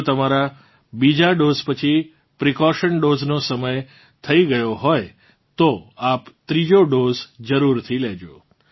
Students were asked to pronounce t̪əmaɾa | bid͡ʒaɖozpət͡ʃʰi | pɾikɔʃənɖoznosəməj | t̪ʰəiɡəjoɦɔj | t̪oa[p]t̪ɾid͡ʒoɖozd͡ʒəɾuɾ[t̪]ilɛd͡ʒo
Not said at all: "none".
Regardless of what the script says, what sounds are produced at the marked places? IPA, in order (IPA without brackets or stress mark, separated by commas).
p, t̪ʰ